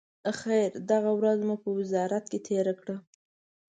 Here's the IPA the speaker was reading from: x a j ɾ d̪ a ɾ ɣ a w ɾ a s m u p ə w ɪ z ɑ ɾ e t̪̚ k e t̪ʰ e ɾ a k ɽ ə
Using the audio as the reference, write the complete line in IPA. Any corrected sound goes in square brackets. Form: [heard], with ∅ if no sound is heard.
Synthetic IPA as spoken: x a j ɾ d̪ a [∅] ɣ a w ɾ a [z] m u p ə w ɪ z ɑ ɾ [a] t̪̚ k e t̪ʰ e ɾ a k ɽ ə